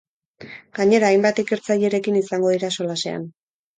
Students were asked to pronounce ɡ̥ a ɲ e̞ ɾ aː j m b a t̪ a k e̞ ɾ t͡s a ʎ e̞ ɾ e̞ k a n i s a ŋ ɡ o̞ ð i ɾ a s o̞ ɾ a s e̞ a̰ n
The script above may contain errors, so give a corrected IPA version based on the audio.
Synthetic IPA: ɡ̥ a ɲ e̞ ɾ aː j m b a t̪ i k e̞ ɾ t͡s a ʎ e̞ ɾ e̞ k i n i s a ŋ ɡ o̞ ð i ɾ a s o̞ l a s e̞ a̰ n